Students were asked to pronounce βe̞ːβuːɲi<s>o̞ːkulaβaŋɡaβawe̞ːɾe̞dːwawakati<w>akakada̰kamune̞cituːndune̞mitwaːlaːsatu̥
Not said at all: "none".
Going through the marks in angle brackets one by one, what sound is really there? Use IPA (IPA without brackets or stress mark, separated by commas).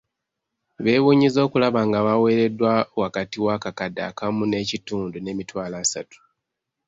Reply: z, w